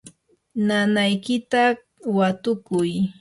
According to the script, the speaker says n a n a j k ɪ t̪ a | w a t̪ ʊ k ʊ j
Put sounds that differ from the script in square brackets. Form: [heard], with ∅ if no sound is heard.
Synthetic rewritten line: n a n a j k ɪ t̪ a | w a t̪ ʊ k ʊ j